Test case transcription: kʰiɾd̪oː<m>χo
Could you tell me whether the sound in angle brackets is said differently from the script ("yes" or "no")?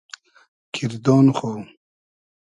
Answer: yes